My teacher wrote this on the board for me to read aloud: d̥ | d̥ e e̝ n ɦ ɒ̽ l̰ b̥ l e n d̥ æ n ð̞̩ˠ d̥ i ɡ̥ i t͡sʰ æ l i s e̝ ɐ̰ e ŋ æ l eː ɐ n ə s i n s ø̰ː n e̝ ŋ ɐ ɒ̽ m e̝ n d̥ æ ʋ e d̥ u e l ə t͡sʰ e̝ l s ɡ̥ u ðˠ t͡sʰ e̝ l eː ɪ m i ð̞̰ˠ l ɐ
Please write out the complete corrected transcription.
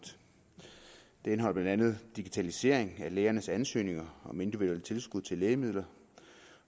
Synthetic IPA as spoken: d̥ | d̥ e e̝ n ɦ ɒ̽ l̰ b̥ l æ n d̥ æ n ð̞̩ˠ d̥ i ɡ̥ i t͡sʰ æ l i s e̝ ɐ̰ e ŋ æ l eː ɐ n ə s æ n s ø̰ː n e̝ ŋ ɐ ɒ̽ m e̝ n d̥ i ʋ i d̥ u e l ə t͡sʰ e̝ l s ɡ̥ u ðˠ t͡sʰ e̝ l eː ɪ m i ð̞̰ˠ l ɐ